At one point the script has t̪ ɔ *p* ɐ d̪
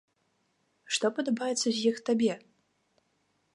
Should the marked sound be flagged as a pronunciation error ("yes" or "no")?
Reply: no